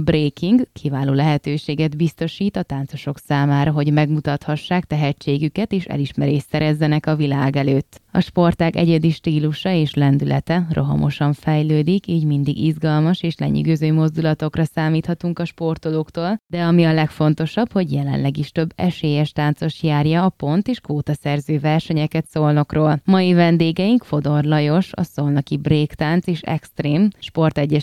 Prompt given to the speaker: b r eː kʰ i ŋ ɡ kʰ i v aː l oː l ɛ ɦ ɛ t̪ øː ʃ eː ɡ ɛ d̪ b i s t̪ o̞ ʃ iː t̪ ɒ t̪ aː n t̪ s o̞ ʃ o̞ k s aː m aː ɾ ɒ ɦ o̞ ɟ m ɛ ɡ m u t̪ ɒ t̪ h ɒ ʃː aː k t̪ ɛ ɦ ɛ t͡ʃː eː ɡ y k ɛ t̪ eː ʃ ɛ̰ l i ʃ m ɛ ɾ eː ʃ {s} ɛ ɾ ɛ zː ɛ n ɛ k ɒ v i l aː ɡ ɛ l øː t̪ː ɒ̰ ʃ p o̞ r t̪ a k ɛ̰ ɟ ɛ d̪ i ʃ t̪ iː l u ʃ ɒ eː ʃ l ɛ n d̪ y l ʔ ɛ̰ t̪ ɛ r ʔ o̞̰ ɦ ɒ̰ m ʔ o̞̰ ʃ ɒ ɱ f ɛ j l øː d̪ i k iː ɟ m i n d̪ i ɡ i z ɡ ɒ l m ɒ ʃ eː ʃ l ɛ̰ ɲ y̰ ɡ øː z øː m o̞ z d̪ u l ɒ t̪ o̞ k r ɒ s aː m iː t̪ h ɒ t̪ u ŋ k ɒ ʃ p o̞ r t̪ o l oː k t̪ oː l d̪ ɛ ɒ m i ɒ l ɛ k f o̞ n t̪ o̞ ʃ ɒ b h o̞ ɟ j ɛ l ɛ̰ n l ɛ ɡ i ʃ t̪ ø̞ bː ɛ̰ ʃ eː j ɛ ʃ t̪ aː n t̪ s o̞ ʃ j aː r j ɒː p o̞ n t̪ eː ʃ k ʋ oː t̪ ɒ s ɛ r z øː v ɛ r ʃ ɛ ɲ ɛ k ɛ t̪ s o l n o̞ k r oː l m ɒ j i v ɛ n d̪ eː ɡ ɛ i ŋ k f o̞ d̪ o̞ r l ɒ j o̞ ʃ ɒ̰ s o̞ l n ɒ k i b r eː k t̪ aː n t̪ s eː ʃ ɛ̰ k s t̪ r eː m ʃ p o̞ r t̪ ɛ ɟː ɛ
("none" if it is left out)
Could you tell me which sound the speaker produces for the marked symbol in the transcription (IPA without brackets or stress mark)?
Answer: s